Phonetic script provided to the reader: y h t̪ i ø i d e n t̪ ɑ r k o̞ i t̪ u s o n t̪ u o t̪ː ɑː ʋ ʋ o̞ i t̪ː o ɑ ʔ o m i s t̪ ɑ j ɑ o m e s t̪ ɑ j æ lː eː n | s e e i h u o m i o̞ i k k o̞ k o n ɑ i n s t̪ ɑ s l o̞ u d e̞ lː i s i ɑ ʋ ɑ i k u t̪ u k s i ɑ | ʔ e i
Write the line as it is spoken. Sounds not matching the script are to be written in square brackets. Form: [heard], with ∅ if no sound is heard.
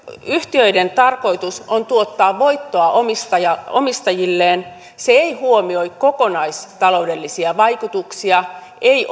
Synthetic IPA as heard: y h t̪ i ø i d e n t̪ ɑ r k o̞ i t̪ u s o n t̪ u o t̪ː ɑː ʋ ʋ o̞ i t̪ː o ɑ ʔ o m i s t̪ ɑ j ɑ o m [i] s t̪ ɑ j [i] lː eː n | s e e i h u o m i o̞ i k k o̞ k o n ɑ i [∅] s t̪ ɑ [∅] l o̞ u d e̞ lː i s i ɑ ʋ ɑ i k u t̪ u k s i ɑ | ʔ e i